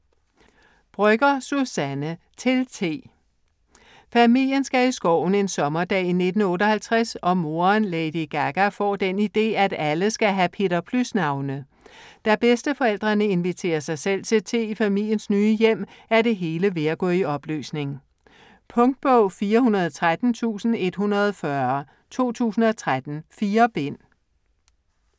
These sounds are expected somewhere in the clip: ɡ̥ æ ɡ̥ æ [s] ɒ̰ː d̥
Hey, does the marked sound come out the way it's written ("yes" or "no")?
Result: no